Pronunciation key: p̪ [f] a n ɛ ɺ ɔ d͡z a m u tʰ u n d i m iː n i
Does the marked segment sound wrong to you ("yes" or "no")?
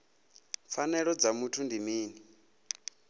no